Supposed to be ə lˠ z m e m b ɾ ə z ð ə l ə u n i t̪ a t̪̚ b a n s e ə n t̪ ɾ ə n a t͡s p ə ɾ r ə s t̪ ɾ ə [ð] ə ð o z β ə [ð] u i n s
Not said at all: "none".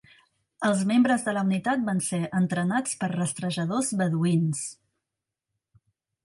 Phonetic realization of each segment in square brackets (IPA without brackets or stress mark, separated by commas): ʒ, ð